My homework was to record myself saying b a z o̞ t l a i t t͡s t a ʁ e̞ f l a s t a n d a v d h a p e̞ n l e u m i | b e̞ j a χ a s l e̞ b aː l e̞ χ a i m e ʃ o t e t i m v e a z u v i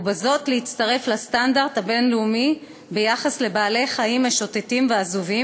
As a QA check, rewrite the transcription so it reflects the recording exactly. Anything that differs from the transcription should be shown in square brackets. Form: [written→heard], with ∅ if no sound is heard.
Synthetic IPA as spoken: b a z o̞ t l [a→e] i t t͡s t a ʁ e̞ f l a s t a n d a [v→ʁ] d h a [p→b] e̞ n l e u m i | b e̞ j a χ a s l e̞ b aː l e̞ χ a i m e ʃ o t e t i m v e a z u v i